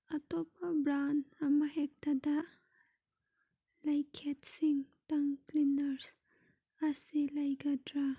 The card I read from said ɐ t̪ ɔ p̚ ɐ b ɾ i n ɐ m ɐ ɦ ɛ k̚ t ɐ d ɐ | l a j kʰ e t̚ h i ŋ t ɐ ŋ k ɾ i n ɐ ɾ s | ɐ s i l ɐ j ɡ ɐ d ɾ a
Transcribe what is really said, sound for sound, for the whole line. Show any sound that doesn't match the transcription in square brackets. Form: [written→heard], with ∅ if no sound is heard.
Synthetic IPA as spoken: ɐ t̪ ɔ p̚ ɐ b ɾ [i→a] n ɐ m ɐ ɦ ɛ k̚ t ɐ d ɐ | l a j kʰ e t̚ [h→s] i ŋ t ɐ ŋ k [ɾ→l] i n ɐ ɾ s | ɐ s i l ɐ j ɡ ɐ d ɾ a